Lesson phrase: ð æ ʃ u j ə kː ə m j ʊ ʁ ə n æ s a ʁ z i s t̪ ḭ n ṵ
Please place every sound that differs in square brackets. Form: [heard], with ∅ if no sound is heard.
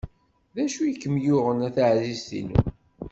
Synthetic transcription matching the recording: ð æ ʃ u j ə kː ə m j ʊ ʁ ə n æ [θ] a [ʕ] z i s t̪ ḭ n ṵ